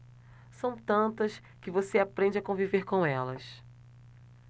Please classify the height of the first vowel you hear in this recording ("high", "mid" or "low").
low